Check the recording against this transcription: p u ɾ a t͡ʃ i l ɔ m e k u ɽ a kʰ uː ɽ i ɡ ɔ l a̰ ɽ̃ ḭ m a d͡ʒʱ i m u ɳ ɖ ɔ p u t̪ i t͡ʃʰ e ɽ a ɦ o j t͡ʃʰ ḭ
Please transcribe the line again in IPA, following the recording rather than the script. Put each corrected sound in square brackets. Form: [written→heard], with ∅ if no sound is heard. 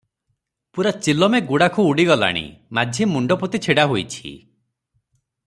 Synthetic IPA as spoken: p u ɾ a t͡ʃ i l ɔ m e [k→ɡ] u ɽ a kʰ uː ɽ i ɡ ɔ l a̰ ɽ̃ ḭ m a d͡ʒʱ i m u ɳ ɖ ɔ p u t̪ i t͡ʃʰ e ɽ a ɦ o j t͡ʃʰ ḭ